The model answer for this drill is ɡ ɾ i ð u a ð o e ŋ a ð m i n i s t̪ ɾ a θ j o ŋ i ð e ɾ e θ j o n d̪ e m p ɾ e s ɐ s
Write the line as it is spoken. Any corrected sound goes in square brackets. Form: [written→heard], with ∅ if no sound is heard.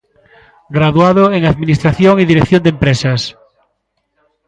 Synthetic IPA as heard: ɡ ɾ [i→a] ð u a ð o e ŋ a ð m i n i s t̪ ɾ a θ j o ŋ i ð [e→i] ɾ e θ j o n d̪ e m p ɾ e s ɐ s